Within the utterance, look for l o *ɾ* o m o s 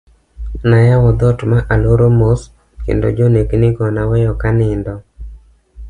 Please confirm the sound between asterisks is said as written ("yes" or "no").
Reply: yes